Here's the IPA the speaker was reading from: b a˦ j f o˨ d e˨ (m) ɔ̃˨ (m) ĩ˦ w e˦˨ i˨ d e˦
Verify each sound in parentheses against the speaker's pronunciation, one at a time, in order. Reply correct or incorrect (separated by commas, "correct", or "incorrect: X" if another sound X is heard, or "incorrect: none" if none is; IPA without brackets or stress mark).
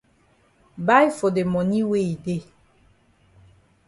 correct, incorrect: n